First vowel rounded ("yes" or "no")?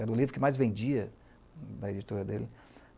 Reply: no